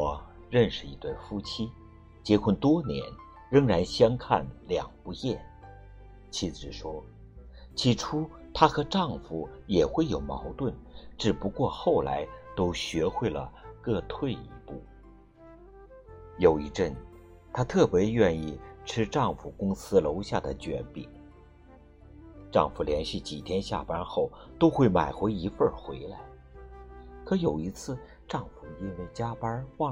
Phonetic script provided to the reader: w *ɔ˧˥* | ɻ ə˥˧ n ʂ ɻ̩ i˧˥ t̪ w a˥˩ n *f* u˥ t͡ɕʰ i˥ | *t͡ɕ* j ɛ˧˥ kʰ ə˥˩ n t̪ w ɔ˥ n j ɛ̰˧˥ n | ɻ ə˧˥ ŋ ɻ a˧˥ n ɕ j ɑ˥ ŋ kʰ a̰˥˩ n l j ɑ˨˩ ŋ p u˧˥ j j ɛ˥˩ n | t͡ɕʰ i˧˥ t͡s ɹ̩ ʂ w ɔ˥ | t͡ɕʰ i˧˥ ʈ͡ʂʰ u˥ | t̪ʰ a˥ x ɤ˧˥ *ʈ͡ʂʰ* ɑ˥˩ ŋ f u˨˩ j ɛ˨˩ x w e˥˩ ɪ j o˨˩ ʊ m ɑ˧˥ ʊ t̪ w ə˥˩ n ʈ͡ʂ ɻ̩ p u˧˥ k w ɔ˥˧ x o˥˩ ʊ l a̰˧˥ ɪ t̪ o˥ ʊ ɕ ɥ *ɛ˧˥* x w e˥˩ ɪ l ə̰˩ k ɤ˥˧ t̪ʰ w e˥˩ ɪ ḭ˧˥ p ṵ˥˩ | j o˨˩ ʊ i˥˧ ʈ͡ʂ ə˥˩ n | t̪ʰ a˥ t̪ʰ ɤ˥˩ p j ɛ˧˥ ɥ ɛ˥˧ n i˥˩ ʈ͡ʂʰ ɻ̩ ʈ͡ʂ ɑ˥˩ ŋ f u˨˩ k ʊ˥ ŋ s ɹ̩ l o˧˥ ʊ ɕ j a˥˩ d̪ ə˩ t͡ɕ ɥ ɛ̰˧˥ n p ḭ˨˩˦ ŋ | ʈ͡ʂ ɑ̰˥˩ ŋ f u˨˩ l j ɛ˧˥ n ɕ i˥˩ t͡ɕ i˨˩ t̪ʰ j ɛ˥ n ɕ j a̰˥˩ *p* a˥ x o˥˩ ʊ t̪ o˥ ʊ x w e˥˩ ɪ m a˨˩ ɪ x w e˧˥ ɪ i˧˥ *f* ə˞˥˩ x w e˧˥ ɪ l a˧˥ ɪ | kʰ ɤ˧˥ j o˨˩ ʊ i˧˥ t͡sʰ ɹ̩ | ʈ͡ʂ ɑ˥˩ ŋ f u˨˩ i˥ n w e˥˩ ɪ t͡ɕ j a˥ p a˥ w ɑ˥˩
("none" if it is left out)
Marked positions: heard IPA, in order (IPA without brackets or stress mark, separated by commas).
ɔ˨˩, f, t͡ɕ, ʈ͡ʂ, ɛ˧˥, p, f